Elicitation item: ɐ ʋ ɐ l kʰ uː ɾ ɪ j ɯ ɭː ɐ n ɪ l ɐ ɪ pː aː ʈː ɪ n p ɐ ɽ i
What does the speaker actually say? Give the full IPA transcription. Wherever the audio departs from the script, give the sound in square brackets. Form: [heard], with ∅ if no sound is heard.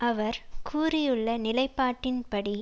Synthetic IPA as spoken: ɐ ʋ ɐ [ɾ] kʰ uː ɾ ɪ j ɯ ɭː ɐ n ɪ l ɐ ɪ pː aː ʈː ɪ n p ɐ ɽ i